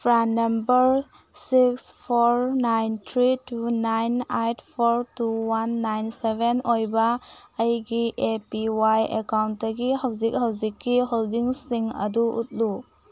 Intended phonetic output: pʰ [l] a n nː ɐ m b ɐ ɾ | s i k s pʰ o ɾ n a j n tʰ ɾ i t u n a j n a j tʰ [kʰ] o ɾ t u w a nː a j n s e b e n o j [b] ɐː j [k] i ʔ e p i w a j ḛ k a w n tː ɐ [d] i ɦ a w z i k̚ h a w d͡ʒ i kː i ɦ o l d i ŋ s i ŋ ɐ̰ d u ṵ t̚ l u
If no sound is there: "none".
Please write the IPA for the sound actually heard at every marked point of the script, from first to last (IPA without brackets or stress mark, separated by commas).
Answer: ɾ, pʰ, b, ɡ, ɡ